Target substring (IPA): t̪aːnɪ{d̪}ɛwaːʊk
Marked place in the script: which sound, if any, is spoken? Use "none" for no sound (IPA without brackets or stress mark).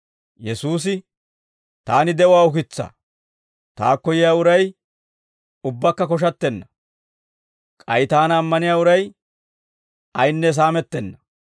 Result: d̪